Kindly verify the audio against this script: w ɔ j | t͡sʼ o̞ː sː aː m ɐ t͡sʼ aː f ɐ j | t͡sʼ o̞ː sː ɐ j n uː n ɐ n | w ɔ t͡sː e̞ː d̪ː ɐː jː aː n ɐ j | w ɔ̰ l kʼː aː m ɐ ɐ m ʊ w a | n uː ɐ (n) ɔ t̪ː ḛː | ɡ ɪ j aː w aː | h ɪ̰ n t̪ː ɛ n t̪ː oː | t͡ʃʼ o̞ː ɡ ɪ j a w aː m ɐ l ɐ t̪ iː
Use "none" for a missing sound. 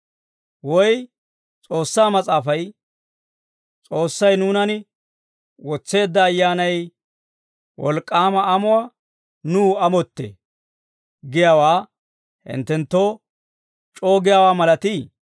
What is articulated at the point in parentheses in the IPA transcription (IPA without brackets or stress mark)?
m